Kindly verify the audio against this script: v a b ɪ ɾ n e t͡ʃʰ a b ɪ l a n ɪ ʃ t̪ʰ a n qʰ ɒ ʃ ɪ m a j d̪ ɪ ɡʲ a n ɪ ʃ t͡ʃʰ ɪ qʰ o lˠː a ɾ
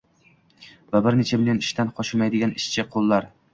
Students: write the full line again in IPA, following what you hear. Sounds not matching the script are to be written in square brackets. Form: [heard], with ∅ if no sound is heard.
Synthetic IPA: v a b ɪ ɾ n e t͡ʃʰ a b ɪ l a n ɪ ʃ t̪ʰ a n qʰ ɒ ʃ ɪ m a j d̪ ɪ ɡʲ a n ɪ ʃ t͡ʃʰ ɪ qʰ o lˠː a ɾ